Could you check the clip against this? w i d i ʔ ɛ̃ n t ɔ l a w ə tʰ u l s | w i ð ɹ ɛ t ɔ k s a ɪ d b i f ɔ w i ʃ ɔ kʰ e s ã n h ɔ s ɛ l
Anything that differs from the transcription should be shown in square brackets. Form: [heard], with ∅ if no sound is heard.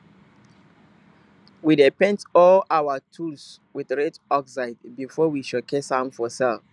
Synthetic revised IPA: w i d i [p] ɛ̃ n t ɔ l a w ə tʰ u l s | w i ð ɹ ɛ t ɔ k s a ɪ d b i f ɔ w i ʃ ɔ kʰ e s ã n [f] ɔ s ɛ l

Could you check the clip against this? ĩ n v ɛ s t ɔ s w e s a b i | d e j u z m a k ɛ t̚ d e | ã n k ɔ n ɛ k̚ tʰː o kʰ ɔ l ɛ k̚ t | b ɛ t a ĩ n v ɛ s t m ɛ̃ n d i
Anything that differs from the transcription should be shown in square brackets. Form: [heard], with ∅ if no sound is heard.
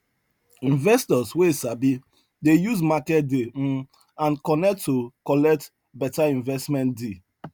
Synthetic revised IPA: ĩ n v ɛ s t ɔ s w e s a b i | d e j u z m a k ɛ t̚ d e | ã n k ɔ n ɛ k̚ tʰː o [k] ɔ l ɛ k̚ t | b ɛ t a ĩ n v ɛ s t m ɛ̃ n d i

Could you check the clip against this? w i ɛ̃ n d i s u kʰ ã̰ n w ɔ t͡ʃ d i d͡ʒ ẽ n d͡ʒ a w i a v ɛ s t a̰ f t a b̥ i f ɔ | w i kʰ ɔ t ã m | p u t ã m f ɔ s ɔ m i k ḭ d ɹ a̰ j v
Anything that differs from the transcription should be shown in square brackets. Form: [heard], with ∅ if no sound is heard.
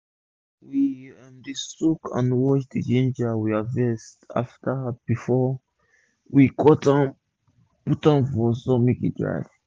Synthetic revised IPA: w i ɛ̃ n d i s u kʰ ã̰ n w ɔ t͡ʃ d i d͡ʒ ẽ n d͡ʒ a w i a v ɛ s t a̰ f t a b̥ i f ɔ | w i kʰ ɔ t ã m | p u t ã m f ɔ s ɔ m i k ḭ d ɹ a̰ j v

